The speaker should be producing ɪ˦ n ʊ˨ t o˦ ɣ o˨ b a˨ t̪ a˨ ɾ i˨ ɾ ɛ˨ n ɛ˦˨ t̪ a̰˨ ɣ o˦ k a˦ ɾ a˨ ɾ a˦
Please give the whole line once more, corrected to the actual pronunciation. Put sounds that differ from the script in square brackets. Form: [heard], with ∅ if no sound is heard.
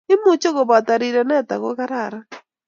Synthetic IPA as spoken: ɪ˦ [m] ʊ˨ [t͡ʃ] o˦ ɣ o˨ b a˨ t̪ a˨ ɾ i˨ ɾ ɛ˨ n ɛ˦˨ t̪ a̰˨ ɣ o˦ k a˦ ɾ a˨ ɾ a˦